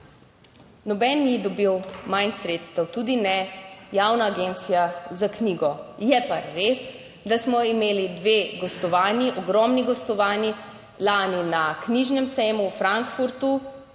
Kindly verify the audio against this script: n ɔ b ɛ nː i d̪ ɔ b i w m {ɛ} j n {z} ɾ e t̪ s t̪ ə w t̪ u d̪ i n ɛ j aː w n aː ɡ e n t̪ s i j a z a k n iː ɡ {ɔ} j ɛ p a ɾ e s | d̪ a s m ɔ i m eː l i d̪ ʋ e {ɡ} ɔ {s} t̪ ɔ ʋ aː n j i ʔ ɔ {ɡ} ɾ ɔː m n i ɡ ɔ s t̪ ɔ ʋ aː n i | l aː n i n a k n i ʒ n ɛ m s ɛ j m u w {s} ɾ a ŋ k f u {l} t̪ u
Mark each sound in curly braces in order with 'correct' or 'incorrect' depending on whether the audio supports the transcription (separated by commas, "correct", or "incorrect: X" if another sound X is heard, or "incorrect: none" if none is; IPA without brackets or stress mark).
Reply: incorrect: a, incorrect: s, correct, correct, correct, correct, incorrect: f, incorrect: ɾ